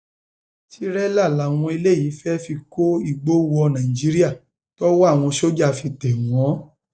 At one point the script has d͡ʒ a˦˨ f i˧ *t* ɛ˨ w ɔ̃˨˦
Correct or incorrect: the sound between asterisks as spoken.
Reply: correct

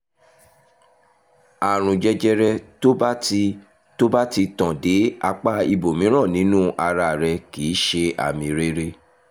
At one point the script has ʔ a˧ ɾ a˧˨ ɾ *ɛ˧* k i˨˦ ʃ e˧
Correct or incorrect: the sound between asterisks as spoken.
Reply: correct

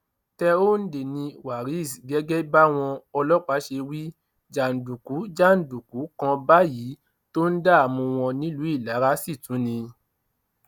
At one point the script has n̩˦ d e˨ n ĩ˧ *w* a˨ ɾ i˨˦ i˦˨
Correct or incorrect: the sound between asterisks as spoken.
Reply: correct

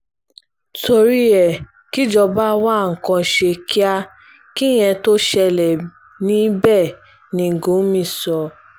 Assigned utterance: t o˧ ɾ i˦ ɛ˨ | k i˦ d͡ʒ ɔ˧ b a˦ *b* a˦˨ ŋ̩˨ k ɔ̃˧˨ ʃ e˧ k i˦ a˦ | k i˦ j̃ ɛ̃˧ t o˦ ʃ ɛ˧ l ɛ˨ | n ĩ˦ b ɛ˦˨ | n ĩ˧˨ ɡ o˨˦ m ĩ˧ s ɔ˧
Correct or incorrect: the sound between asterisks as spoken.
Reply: incorrect: w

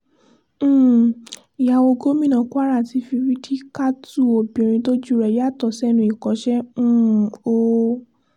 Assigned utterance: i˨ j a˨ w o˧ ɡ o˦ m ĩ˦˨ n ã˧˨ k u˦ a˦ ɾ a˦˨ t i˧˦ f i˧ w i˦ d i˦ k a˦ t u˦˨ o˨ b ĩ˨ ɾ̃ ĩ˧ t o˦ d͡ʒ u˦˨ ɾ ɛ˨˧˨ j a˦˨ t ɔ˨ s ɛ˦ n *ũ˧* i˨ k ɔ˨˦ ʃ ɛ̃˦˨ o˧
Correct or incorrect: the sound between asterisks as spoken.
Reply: correct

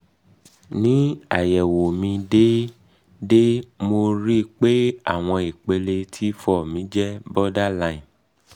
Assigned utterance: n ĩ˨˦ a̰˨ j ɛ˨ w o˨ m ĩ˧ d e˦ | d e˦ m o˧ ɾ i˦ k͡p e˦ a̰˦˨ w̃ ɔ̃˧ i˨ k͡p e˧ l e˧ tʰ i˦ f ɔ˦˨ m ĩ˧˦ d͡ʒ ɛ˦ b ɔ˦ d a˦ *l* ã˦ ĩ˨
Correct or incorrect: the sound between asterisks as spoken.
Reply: correct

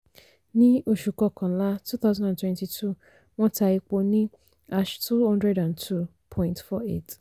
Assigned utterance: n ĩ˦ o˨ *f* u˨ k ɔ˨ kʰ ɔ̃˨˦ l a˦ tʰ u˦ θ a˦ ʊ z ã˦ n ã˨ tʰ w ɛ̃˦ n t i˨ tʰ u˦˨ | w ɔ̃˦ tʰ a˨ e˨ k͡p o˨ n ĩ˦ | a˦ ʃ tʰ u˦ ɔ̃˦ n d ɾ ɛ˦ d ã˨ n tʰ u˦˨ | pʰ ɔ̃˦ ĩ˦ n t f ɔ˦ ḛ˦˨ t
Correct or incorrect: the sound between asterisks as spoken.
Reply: incorrect: ʃ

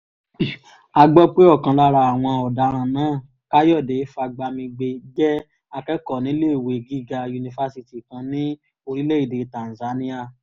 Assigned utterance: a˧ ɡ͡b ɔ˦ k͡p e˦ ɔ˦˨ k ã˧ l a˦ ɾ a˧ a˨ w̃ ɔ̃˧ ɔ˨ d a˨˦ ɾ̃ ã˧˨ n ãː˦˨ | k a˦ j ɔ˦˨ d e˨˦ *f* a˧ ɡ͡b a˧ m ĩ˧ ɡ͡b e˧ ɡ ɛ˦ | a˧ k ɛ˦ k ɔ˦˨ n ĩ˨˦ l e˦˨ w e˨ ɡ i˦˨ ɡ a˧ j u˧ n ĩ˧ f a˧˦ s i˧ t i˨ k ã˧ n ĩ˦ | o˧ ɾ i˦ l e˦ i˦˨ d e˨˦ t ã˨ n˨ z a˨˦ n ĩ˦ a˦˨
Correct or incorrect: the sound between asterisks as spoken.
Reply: correct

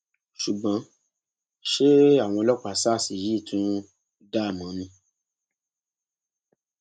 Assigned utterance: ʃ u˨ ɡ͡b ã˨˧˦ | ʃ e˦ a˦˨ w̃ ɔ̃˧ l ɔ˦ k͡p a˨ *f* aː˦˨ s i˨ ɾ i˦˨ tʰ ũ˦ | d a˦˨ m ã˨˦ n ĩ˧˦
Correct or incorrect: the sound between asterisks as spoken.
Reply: incorrect: s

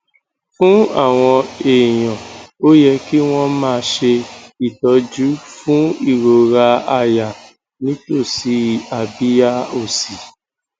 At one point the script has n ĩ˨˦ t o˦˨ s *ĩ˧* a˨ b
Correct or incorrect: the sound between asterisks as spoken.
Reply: incorrect: i˧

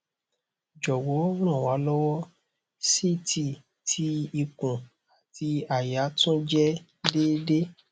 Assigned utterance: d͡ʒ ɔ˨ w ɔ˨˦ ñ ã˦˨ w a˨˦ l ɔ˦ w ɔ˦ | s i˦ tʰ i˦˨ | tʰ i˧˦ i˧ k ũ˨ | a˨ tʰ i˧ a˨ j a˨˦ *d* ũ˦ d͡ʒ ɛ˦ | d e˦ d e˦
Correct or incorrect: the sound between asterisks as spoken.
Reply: incorrect: t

